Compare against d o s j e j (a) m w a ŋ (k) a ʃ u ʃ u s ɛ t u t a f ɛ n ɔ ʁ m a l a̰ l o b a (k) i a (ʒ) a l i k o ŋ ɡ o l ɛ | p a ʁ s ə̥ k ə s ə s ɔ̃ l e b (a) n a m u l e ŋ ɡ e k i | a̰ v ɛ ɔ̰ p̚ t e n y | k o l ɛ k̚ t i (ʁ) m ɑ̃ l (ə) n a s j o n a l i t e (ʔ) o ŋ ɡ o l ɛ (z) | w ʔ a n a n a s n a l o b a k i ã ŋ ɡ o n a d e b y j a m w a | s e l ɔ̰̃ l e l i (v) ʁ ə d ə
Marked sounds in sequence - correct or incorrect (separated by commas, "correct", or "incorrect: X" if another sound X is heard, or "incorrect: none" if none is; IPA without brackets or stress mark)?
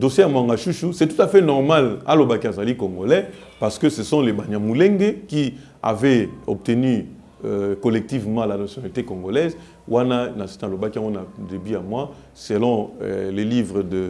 correct, incorrect: ɡ, correct, incorrect: z, correct, incorrect: v, incorrect: a, incorrect: k, correct, correct